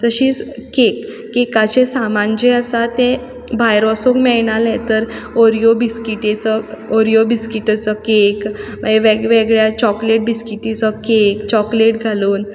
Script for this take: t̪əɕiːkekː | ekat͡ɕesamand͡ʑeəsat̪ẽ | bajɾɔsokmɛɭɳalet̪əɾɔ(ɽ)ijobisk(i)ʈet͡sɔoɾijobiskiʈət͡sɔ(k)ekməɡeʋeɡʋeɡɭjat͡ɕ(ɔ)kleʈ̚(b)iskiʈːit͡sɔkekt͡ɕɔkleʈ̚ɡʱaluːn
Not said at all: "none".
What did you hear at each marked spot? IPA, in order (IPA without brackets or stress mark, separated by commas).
ɾ, i, k, ɔ, b